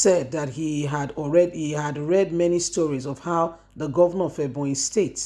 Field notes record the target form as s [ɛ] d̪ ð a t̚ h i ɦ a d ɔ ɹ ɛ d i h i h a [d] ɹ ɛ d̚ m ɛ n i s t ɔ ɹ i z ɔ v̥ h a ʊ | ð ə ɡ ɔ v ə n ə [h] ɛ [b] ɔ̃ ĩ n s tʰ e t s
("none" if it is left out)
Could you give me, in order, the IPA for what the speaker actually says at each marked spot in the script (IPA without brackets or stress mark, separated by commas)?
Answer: ɛ, d, f, b